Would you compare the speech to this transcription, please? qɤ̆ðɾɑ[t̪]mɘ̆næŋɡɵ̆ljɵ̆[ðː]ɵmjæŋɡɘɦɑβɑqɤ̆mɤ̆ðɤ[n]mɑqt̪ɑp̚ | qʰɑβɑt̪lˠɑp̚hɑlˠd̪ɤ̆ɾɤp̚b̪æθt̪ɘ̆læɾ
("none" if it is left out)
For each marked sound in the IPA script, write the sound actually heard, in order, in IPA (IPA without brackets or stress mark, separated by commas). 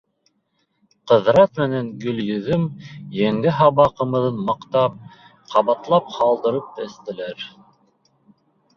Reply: t̪, ð, n